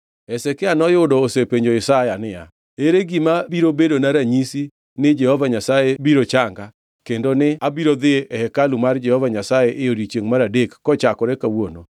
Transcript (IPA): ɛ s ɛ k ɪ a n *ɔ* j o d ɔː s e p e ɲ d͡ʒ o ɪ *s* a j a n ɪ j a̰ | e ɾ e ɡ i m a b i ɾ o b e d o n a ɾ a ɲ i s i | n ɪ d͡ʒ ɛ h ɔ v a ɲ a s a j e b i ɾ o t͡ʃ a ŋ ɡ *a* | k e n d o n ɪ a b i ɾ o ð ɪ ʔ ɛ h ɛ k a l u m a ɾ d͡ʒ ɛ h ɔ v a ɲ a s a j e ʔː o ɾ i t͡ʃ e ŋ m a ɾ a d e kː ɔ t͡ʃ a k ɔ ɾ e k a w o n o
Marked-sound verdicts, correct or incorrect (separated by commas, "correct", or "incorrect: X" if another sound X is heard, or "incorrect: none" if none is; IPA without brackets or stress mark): correct, correct, correct